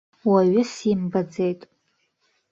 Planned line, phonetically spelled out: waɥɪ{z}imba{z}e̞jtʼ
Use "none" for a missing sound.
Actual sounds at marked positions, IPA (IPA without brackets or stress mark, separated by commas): s, d͡z